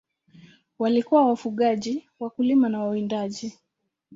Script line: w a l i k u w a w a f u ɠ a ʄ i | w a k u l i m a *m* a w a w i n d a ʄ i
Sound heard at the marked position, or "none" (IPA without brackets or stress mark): n